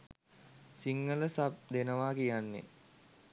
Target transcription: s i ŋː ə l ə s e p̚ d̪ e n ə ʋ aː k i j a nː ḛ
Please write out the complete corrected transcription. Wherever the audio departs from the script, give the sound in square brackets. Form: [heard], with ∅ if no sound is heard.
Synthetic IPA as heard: s i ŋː ə l ə s [a] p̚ d̪ e n ə ʋ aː k i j a nː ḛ